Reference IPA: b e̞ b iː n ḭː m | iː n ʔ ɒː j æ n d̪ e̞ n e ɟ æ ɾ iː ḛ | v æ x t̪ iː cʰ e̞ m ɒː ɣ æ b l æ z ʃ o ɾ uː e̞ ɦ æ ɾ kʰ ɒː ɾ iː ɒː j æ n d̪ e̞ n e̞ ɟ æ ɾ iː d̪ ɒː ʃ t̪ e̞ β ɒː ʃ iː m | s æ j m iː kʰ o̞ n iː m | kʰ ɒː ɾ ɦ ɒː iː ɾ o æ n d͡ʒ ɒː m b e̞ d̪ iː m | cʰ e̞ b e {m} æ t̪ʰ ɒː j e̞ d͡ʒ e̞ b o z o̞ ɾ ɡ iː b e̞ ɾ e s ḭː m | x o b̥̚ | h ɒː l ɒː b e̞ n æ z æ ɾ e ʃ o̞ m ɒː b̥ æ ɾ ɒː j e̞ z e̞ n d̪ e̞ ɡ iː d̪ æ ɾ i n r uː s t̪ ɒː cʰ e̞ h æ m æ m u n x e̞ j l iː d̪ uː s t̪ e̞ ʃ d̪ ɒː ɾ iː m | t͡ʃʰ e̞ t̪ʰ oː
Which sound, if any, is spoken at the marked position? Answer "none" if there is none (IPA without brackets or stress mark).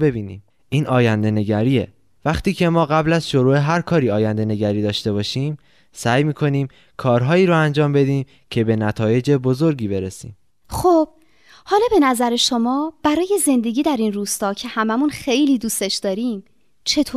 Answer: n